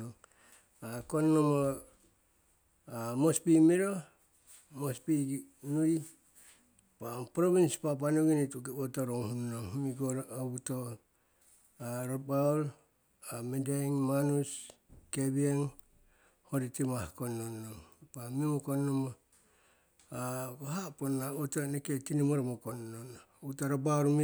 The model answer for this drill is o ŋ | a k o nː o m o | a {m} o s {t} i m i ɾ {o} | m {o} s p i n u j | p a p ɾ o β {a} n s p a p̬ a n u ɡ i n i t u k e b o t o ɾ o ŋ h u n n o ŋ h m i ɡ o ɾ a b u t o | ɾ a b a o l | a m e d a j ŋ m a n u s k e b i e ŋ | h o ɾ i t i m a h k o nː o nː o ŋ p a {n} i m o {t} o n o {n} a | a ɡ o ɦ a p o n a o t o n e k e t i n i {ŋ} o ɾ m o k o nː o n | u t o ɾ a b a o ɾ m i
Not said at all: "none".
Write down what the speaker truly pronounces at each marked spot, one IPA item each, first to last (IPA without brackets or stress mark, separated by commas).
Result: m, p, o, o, i, m, k, m, m